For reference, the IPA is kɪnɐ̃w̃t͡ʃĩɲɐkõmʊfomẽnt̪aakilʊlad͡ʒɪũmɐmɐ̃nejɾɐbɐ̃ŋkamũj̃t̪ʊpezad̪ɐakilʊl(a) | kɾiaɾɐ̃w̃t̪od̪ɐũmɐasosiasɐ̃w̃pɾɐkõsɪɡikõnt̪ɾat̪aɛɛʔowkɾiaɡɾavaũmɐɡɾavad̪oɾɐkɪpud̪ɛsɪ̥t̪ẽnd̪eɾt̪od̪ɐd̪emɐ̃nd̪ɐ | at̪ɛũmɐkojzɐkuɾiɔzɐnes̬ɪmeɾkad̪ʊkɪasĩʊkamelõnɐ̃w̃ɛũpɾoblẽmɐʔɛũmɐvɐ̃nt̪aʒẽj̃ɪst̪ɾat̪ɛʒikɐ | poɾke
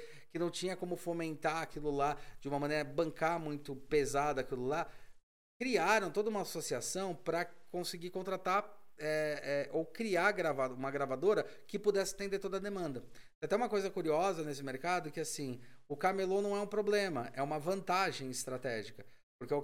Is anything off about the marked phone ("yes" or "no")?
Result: no